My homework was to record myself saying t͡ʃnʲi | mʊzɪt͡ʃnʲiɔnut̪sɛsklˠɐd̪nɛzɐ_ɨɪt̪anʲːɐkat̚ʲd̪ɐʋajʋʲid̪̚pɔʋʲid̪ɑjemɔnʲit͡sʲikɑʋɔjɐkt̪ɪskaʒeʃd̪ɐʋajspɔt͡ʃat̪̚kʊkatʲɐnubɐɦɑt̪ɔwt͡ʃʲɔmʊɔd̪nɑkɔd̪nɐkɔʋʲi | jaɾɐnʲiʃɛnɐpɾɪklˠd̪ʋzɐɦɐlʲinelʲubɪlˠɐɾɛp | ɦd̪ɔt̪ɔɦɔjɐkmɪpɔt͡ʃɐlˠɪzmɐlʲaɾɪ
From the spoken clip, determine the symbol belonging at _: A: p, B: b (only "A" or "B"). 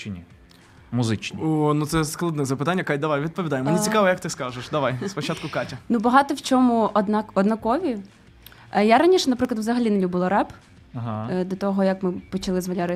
A